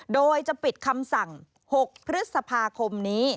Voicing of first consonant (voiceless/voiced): voiced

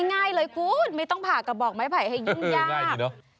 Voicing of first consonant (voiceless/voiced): voiced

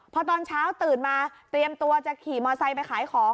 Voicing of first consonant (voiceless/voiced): voiceless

